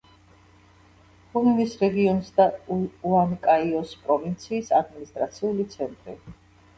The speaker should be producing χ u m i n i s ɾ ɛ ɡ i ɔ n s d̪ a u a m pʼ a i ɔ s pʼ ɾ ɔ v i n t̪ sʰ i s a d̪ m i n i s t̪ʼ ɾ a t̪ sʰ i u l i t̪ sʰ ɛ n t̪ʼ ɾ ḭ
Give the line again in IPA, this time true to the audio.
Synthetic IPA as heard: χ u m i n i s ɾ ɛ ɡ i ɔ n s d̪ a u a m kʼ a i ɔ s pʼ ɾ ɔ v i n t̪ sʰ iː s a d̪ m i n i s t̪ʼ ɾ a t̪ sʰ i u l i t̪ sʰ ɛ n t̪ʼ ɾ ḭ